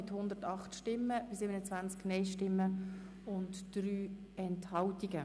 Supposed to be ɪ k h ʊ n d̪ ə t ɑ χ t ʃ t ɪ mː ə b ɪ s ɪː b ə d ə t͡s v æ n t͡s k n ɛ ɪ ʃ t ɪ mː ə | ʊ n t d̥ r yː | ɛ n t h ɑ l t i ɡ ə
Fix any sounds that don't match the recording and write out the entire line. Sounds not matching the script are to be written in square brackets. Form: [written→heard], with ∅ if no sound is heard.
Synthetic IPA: ɪ [k→t] h ʊ n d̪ ə t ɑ χ t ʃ t ɪ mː ə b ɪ s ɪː b ə [d→n] ə t͡s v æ n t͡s k n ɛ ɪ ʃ t ɪ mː ə | ʊ n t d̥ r yː | ɛ n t h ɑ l t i ɡ ə